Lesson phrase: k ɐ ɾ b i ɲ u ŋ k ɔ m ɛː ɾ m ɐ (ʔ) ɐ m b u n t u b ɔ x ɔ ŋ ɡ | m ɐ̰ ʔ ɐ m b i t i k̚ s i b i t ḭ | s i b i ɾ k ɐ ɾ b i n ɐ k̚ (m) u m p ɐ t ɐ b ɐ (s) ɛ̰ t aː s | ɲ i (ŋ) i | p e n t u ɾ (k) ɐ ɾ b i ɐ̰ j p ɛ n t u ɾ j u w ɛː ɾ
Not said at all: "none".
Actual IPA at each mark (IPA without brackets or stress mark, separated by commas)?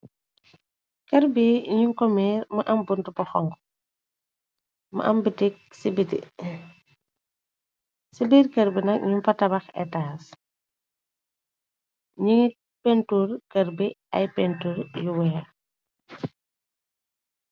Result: ʔ, ɲ, x, ŋ, k